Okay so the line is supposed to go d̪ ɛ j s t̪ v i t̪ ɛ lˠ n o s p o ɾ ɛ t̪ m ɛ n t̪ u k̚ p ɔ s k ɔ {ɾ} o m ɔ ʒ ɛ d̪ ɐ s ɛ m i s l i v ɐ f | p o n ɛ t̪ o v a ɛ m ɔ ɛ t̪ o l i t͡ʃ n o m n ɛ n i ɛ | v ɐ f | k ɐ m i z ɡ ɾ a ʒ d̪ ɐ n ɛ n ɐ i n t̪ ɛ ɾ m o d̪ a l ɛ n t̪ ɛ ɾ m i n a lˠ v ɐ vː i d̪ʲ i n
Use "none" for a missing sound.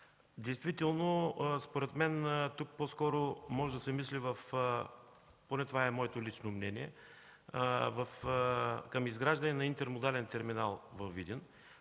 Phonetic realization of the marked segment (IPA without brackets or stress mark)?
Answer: ɾ